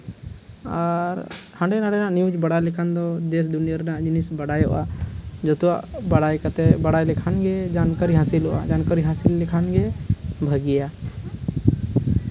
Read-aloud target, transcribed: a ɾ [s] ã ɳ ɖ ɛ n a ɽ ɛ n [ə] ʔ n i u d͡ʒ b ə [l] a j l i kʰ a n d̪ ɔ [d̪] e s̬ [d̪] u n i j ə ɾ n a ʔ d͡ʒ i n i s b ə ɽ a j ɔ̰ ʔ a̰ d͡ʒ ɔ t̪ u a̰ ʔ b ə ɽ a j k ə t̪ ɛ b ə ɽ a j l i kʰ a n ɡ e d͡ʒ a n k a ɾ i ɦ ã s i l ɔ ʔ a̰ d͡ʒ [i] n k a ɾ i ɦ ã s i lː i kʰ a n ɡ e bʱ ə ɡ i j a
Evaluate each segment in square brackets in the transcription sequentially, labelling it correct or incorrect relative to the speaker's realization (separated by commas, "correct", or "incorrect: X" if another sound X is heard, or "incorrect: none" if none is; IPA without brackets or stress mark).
incorrect: h, incorrect: a, incorrect: ɽ, correct, correct, incorrect: a